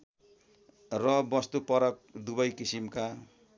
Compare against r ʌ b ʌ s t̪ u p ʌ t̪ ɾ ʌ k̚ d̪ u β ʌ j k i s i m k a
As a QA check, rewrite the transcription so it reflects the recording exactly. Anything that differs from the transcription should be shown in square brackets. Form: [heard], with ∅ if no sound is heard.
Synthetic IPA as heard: r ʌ b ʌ s t̪ u p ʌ [∅] ɾ ʌ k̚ d̪ u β ʌ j k i s i m k a

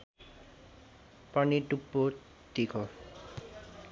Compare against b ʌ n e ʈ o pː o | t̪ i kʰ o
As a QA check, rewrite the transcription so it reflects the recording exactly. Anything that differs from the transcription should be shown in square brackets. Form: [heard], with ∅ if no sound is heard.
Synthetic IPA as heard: [p] ʌ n [i] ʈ [u] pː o | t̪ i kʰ o

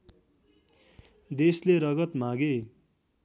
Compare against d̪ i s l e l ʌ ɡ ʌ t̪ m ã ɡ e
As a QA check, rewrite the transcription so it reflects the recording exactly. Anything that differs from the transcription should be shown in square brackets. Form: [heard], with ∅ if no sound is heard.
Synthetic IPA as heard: d̪ [e] s l e [ɾ] ʌ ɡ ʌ t̪ m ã ɡ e

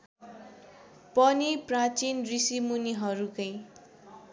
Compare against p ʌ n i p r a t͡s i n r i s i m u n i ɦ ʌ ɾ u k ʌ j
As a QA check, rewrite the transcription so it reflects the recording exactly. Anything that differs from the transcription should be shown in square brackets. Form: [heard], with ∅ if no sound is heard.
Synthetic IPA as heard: p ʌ n i p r a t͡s i n r i s i m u n i ɦ ʌ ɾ u k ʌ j

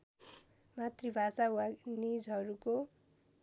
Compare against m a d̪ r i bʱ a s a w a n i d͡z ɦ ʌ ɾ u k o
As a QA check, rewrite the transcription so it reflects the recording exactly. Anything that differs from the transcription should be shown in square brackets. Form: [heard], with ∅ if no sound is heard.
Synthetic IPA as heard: m a [t̪] r i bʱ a s a w a n i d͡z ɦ ʌ ɾ u k o

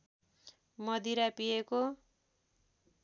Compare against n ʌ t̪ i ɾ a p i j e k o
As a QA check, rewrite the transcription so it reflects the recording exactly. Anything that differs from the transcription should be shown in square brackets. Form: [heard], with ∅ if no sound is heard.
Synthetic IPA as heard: [m] ʌ [d̪] i ɾ a p i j e k o

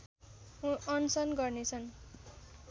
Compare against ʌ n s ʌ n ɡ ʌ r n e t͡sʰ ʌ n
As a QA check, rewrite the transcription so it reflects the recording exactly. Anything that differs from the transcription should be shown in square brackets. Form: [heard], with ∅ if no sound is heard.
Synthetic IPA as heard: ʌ n s ʌ n ɡ ʌ r n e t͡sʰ ʌ n

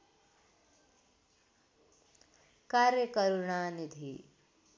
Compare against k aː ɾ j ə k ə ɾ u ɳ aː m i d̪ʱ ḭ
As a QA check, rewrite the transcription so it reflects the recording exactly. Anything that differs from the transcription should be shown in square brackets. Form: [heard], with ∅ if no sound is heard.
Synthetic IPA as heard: k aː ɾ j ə k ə ɾ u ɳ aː [n] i d̪ʱ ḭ

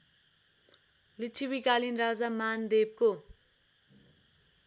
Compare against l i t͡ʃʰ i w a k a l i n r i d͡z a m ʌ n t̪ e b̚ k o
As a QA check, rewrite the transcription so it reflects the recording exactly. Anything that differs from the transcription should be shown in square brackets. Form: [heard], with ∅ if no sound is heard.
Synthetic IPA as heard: l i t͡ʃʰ i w [i] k a l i n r [a] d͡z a m [a] n [d̪] e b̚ k o

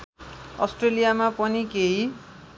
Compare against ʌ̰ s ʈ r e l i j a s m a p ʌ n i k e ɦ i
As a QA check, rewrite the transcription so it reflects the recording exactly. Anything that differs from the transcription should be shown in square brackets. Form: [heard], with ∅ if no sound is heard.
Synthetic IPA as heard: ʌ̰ s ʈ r e l i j a [∅] m a p ʌ n i k e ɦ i

